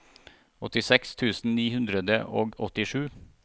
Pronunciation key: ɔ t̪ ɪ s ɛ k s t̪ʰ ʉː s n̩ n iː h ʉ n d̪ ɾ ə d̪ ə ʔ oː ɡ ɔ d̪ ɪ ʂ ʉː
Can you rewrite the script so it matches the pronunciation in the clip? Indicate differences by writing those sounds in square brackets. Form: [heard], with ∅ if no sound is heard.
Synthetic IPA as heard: ɔ t̪ ɪ s ɛ k s t̪ʰ ʉː s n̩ n iː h ʉ n d̪ ɾ ə d̪ ə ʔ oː ɡ ɔ [t̪] ɪ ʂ ʉː